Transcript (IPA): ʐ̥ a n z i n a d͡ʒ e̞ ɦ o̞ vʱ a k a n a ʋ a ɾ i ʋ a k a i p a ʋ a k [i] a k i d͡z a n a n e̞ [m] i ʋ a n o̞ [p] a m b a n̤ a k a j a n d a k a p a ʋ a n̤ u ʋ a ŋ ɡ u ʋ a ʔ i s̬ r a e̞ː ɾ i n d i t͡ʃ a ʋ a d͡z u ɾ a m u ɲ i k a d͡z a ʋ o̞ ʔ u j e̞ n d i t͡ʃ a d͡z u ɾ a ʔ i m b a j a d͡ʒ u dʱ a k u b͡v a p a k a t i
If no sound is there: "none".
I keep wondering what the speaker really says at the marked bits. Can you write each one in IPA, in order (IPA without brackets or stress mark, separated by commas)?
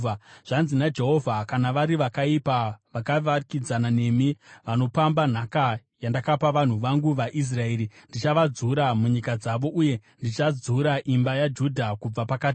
a, m, p